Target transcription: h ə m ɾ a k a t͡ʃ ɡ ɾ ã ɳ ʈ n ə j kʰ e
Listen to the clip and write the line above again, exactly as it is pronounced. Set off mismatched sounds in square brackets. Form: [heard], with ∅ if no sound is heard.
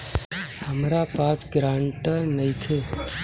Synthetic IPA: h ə m ɾ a [p] a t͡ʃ ɡ ɾ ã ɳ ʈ n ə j kʰ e